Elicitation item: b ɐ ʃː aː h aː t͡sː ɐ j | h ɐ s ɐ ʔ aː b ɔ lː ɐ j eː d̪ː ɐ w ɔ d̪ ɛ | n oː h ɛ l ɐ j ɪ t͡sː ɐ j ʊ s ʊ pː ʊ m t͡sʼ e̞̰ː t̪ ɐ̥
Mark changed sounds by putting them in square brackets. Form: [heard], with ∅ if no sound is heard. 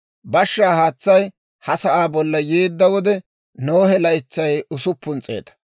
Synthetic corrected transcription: b ɐ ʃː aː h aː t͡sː ɐ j | h ɐ s ɐ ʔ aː b ɔ lː ɐ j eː d̪ː ɐ w ɔ d̪ ɛ | n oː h ɛ l ɐ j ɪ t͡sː ɐ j ʊ s ʊ pː ʊ [n] t͡sʼ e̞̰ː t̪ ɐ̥